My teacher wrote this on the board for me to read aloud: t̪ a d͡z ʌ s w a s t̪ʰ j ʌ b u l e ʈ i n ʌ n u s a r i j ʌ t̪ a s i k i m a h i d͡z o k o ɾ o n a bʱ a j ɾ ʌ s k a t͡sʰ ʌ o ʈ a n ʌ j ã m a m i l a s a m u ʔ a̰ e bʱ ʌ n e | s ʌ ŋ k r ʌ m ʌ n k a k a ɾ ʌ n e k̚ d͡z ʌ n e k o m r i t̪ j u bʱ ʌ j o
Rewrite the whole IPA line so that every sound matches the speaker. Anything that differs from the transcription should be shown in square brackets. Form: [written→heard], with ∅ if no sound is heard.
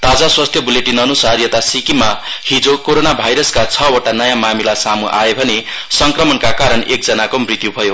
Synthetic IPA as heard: t̪ a d͡z [ʌ→a] s w a s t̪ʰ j ʌ b u l e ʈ i n ʌ n u s a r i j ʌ t̪ a s i k i m a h i d͡z o k o ɾ o n a bʱ a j ɾ ʌ s k a t͡sʰ ʌ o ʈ a n ʌ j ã m a m i l a s a m u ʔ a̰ e bʱ ʌ n e | s ʌ ŋ k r ʌ m ʌ n k a k a ɾ ʌ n e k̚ d͡z ʌ n [e→a] k o m r i t̪ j u bʱ ʌ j o